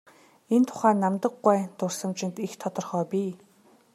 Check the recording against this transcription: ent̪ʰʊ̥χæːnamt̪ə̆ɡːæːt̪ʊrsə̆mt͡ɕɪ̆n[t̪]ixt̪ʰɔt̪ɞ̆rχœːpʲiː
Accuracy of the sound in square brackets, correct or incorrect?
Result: correct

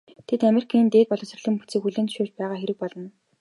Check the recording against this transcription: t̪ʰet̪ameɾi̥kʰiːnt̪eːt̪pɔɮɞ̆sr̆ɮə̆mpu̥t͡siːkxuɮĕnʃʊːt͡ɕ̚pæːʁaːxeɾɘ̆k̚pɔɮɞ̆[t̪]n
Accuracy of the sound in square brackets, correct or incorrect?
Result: incorrect: none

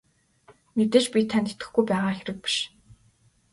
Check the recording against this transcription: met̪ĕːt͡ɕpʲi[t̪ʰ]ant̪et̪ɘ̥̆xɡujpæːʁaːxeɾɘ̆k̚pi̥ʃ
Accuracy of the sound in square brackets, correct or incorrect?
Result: correct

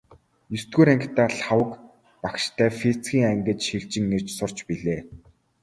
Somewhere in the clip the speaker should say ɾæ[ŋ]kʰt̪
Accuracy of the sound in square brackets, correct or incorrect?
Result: correct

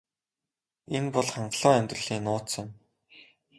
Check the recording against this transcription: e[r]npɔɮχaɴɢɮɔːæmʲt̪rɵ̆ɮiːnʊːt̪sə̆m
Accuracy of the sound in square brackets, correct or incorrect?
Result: incorrect: none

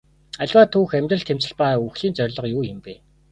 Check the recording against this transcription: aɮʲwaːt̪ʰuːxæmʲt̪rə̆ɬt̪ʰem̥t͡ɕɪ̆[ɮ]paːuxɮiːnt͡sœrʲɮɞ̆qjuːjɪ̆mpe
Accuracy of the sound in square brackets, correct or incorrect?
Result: correct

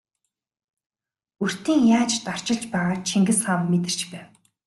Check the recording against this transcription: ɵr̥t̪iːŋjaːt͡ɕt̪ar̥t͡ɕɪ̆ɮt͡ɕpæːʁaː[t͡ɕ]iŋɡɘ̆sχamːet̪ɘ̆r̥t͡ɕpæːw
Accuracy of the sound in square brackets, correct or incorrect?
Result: incorrect: t͡ɕʰ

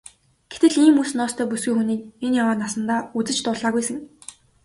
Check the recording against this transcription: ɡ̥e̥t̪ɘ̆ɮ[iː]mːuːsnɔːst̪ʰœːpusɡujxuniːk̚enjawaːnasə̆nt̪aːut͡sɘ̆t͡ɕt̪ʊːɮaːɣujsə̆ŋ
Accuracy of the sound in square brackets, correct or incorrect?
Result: correct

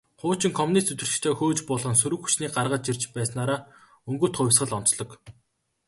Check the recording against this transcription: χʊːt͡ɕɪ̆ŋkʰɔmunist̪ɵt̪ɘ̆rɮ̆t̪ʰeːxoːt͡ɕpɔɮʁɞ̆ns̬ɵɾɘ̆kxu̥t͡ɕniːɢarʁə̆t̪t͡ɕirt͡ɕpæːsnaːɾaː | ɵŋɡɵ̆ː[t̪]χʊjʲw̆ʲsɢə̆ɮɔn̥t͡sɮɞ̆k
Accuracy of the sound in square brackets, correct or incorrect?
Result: correct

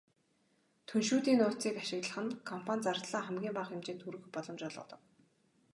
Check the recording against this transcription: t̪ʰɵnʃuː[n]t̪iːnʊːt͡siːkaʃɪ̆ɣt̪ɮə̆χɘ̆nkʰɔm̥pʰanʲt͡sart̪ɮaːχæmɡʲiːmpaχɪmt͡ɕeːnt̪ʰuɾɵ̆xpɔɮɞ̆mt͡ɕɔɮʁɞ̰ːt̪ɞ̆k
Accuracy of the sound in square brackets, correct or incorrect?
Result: incorrect: none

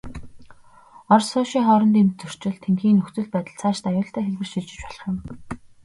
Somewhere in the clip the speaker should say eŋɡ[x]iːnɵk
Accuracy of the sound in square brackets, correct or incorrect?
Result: correct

